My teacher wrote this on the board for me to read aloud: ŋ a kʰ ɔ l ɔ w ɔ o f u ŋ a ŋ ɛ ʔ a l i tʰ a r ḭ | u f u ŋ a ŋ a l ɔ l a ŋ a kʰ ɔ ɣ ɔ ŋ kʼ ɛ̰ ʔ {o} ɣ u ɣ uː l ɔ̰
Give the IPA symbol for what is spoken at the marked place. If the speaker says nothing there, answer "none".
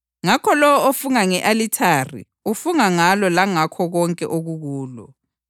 o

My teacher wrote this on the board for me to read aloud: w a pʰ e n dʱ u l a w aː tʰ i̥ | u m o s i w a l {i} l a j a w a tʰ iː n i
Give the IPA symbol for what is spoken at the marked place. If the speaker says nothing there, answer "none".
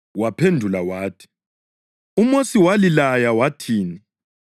i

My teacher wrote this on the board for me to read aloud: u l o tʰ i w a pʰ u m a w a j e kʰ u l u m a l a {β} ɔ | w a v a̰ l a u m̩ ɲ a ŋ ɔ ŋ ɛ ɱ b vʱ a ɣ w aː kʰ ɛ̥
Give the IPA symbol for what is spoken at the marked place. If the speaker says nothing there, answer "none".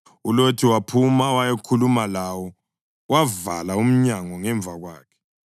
w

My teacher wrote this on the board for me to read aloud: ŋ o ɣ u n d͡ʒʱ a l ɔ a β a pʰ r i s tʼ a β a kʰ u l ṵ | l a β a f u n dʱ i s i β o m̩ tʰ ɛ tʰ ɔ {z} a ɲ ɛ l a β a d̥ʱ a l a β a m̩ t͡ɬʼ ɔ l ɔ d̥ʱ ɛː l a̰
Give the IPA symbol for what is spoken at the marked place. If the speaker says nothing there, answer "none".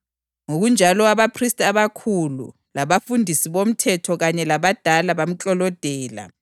ɣ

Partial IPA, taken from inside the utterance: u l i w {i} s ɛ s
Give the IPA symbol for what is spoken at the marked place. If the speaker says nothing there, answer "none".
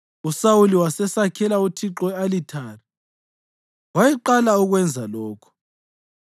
a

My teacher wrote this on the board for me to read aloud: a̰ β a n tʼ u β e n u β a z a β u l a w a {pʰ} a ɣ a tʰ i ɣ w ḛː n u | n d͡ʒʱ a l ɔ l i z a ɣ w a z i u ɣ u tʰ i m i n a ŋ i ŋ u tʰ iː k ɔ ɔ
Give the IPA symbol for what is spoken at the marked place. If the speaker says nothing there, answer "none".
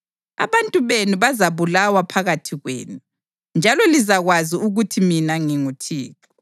pʰ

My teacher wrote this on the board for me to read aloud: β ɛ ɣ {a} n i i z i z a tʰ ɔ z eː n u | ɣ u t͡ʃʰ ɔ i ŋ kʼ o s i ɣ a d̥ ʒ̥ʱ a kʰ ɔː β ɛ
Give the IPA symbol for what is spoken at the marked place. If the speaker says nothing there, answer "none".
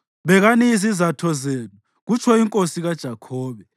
a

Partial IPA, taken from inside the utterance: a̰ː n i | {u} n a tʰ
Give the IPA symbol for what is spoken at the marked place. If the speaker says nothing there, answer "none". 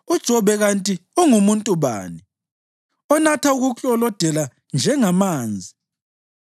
ɔ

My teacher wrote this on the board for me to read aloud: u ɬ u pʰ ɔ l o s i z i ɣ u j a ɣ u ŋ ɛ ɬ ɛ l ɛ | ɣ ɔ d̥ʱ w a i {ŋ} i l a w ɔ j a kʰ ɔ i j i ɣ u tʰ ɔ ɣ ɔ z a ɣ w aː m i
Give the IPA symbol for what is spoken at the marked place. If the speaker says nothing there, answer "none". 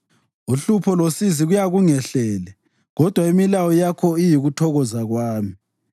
m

